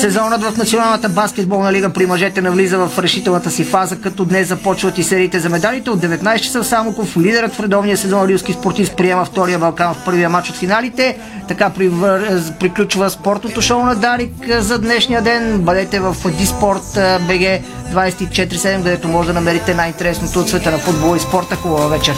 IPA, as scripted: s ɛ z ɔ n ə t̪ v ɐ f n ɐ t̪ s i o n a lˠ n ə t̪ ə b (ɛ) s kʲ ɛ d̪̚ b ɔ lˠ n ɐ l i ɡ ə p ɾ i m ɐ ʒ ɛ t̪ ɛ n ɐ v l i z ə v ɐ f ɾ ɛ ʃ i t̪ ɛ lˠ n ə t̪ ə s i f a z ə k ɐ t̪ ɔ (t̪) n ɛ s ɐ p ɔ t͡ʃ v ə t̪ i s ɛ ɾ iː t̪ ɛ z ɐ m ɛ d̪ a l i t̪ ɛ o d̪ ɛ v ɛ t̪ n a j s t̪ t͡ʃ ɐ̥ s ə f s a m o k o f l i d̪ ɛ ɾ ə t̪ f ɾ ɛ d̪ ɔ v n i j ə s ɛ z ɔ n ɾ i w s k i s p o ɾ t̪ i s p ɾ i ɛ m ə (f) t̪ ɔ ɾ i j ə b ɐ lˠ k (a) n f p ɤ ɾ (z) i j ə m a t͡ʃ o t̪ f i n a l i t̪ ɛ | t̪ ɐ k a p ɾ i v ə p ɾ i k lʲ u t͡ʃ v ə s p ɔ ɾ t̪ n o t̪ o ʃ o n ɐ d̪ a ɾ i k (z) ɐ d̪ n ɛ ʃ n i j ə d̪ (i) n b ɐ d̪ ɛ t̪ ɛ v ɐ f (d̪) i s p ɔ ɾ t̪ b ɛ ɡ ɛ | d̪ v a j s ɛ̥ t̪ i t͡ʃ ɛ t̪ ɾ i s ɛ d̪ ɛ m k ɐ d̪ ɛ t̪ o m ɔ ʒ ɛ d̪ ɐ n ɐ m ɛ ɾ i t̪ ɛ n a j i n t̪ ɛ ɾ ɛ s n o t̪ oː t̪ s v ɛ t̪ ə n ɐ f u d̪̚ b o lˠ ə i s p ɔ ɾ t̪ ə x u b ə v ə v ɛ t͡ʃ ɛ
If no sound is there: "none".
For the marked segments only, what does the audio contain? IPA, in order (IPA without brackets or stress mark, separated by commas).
a, d̪, f, a, v, z, ɛ, d̪